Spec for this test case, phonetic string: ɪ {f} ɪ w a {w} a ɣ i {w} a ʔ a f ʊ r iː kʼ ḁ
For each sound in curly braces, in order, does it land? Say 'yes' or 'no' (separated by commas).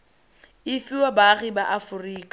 yes, no, no